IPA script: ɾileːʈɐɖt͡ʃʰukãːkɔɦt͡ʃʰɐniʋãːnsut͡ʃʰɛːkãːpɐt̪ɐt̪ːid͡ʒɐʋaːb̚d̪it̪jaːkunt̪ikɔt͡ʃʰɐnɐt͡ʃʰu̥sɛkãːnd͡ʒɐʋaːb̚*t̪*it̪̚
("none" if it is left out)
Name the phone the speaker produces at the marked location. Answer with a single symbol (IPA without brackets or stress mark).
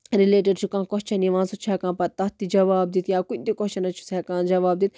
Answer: d̪